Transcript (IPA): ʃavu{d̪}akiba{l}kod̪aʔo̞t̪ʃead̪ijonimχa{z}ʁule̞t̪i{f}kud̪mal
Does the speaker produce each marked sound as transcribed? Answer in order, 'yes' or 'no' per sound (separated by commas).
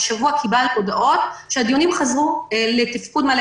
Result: no, yes, yes, yes